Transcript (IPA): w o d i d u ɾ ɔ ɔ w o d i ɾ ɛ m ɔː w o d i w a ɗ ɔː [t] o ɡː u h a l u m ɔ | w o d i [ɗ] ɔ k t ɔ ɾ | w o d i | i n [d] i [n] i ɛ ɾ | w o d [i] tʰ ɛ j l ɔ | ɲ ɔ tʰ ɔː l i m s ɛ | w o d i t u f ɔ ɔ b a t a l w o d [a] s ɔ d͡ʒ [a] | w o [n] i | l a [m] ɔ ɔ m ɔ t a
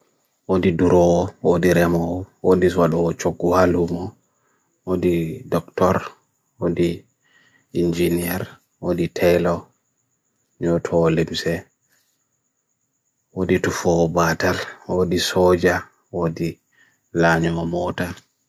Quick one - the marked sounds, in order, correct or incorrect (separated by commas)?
incorrect, incorrect, incorrect, correct, correct, incorrect, correct, incorrect, incorrect